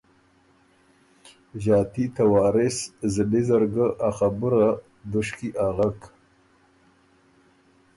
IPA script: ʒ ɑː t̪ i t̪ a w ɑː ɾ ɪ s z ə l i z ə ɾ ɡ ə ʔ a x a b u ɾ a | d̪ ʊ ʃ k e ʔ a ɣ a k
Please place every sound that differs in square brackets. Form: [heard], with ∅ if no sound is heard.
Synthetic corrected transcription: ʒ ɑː t̪ i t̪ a w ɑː ɾ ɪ s z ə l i z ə ɾ ɡ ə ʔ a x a b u ɾ a | d̪ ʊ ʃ k [i] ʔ a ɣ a k